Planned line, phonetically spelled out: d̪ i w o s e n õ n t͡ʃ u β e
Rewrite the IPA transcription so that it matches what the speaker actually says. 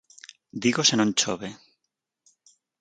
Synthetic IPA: d̪ i ɣ o s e n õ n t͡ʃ o β e